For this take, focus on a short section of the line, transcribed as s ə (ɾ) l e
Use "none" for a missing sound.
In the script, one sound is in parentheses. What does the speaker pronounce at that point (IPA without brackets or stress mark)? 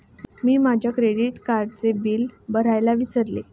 ɾ